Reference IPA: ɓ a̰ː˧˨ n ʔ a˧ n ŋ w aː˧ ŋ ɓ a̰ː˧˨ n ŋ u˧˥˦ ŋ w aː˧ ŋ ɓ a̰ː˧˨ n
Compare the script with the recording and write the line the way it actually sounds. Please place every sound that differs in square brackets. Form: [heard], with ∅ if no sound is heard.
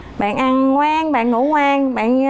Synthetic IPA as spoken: ɓ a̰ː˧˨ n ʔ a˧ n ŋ w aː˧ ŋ ɓ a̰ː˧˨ n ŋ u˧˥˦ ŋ w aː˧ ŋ ɓ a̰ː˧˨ n